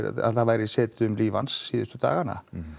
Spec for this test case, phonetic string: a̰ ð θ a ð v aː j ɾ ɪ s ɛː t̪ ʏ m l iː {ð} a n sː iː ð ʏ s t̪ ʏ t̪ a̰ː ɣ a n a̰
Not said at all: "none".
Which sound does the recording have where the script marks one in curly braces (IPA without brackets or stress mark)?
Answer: v